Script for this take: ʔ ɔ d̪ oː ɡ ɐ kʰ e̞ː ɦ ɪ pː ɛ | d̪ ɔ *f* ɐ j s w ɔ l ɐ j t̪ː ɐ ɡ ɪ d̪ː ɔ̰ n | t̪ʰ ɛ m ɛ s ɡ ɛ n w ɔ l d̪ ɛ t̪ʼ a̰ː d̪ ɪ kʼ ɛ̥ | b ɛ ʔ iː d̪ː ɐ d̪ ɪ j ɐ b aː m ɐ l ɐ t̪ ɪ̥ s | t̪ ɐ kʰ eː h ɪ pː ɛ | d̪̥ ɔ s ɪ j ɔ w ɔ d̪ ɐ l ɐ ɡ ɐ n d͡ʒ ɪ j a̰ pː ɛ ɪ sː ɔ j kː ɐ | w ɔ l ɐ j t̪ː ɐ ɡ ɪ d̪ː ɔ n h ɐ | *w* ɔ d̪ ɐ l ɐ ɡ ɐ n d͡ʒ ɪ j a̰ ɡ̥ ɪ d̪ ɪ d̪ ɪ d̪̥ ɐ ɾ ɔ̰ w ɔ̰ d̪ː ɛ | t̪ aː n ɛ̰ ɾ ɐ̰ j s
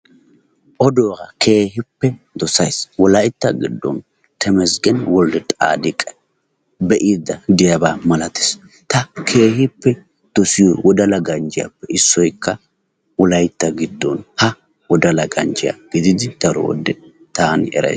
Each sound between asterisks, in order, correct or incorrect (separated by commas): incorrect, correct